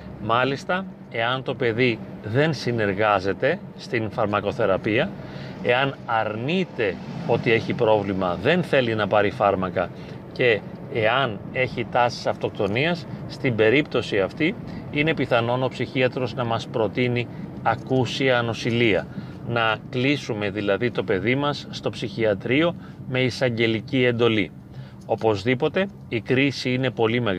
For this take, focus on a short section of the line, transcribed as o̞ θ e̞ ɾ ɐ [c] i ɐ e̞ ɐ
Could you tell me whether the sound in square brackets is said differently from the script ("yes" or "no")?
yes